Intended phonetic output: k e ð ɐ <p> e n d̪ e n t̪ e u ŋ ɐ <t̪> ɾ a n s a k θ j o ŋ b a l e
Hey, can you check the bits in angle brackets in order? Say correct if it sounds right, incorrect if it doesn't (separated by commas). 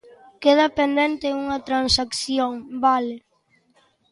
correct, correct